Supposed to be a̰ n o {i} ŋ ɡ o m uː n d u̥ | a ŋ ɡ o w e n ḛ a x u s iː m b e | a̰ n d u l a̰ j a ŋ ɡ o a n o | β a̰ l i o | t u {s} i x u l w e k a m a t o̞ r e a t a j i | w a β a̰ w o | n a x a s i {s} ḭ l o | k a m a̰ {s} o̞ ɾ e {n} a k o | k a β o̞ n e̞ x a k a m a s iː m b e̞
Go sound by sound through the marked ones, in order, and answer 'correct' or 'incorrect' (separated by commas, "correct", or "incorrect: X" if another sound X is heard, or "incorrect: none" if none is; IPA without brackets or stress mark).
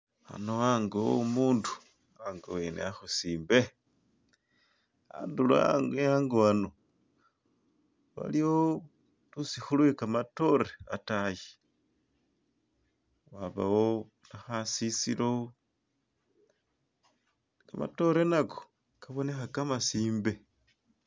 incorrect: a, correct, correct, incorrect: t, correct